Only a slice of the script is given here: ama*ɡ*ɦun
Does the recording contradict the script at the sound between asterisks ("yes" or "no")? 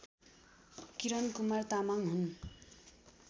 yes